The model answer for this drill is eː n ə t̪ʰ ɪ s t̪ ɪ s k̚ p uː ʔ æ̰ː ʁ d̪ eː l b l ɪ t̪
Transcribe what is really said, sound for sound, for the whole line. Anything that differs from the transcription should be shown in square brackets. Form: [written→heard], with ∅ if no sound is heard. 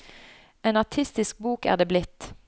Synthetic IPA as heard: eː n [ə→ɑ] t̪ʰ ɪ s t̪ ɪ s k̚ [p→b] uː [ʔ→k] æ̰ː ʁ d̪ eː [l→∅] b l ɪ t̪